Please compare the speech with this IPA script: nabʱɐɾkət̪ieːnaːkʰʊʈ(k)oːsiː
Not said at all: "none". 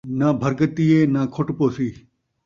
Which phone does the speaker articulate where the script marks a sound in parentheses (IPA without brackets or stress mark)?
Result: p